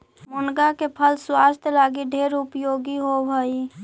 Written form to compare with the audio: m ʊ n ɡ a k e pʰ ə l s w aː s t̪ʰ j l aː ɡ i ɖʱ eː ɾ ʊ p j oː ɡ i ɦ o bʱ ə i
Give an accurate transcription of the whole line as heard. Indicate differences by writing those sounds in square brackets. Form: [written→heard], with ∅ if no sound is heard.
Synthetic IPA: m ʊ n ɡ a k e pʰ ə l s w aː s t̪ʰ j l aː ɡ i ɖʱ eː ɾ ʊ p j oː ɡ i ɦ o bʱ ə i